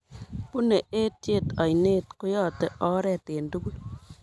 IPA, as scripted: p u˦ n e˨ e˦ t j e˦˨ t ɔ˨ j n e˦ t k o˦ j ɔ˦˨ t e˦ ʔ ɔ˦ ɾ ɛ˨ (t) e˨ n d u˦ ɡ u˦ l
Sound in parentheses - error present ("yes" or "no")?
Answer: no